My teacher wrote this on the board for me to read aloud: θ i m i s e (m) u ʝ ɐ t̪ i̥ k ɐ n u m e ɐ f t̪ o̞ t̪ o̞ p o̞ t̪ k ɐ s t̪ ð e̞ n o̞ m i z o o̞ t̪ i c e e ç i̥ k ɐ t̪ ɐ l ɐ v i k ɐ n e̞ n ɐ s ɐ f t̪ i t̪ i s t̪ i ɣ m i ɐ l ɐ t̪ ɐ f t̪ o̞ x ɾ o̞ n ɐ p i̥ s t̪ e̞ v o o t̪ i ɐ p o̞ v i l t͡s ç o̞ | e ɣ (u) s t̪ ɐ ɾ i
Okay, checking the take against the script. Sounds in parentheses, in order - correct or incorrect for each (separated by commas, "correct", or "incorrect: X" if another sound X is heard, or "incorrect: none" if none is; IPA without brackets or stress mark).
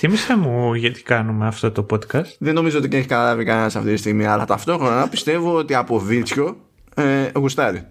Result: correct, correct